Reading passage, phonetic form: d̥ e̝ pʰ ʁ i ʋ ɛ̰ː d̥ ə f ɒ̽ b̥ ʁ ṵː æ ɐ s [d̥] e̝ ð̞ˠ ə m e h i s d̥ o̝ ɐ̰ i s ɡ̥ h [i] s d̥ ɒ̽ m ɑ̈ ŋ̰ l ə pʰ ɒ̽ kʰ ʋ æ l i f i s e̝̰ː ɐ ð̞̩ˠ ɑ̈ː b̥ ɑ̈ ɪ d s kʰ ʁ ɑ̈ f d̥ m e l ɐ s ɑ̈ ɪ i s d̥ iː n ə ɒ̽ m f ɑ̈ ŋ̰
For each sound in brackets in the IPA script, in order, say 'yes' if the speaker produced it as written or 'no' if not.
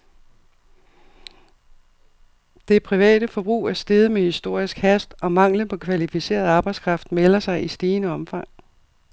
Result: yes, no

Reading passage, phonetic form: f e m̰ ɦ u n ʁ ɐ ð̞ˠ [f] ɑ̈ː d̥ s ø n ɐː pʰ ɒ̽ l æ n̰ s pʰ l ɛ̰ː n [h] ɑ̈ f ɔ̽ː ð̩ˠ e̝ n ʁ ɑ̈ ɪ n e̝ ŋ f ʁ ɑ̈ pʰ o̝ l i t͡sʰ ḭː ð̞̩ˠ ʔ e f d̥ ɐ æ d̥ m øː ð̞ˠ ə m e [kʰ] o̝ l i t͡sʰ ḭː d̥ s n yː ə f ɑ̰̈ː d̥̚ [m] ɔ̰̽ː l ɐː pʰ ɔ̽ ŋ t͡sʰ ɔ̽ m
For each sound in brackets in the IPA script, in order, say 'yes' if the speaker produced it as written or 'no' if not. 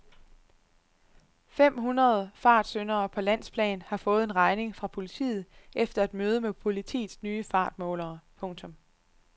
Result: yes, yes, no, yes

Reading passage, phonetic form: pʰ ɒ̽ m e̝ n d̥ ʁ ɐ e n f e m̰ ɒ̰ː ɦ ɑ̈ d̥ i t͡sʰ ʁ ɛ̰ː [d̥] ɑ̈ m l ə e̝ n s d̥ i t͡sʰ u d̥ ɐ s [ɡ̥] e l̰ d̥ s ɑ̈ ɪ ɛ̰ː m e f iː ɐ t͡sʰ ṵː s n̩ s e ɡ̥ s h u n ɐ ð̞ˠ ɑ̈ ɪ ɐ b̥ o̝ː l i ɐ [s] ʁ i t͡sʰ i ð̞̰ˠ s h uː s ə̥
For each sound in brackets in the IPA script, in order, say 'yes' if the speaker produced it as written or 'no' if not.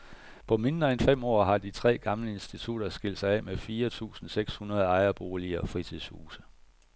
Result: no, yes, no

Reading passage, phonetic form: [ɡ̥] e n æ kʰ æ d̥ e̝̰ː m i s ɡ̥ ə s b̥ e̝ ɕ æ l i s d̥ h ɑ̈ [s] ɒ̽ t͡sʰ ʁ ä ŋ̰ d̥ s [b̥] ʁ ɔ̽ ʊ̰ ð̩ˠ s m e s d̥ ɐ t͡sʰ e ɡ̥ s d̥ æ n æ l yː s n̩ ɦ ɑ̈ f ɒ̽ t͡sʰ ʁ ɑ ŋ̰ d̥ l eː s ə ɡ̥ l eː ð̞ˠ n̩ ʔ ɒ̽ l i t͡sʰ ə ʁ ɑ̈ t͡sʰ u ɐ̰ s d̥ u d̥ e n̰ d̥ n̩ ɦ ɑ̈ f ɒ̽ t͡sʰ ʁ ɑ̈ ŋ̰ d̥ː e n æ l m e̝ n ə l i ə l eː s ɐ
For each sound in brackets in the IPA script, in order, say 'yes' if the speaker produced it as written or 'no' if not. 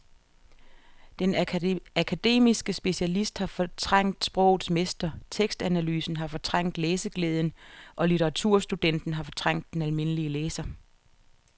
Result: no, no, yes

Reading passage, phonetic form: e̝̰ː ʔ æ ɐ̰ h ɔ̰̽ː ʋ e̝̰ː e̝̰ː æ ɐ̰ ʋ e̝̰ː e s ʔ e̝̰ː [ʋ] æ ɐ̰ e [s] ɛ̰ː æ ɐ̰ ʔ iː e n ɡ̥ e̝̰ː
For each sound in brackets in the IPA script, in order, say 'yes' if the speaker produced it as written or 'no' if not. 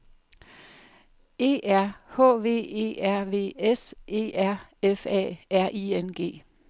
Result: no, no

